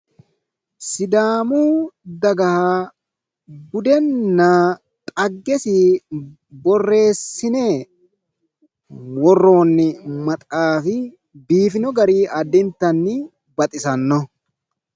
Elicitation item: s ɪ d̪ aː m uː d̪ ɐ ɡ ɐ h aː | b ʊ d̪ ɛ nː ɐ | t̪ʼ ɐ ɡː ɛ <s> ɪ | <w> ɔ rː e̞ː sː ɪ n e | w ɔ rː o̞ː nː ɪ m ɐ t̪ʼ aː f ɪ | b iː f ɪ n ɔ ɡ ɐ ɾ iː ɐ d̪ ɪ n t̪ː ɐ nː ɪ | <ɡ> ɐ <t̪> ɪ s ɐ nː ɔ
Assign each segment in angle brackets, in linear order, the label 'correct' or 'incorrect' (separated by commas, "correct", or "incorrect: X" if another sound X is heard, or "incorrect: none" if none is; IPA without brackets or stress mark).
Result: correct, incorrect: b, incorrect: b, incorrect: t̪ʼ